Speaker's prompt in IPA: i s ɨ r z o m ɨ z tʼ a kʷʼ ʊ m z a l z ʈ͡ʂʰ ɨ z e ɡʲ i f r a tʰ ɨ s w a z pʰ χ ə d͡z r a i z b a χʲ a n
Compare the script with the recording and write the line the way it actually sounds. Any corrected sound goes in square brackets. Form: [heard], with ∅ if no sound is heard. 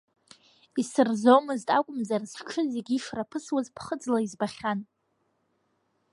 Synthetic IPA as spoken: i s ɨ r z o m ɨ z tʼ a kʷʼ ʊ m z a [r] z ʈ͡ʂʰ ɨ z e ɡʲ i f r a [pʰ] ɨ s w a z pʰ χ ə d͡z [l] a i z b a χʲ a n